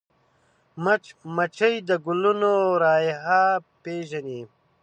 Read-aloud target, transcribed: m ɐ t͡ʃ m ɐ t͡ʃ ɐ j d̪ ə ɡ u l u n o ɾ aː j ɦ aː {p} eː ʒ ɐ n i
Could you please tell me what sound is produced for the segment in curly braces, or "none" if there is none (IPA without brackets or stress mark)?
p